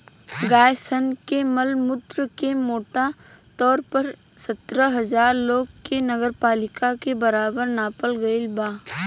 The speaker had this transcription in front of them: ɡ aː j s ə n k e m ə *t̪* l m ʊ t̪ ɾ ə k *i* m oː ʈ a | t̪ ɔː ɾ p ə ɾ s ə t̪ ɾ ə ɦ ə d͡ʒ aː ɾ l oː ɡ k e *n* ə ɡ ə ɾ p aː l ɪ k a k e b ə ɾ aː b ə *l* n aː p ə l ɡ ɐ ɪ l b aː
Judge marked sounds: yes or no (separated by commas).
no, no, yes, no